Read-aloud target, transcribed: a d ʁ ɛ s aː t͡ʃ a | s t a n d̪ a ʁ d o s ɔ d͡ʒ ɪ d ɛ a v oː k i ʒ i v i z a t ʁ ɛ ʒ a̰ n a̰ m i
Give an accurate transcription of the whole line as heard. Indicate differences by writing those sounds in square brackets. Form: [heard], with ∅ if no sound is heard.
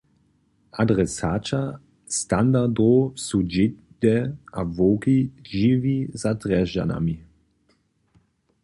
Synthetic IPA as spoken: a d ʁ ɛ s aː t͡ʃ a | s t a n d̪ a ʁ d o s [u] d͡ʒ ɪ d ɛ a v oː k i ʒ i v i z a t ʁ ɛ ʒ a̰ n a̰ m i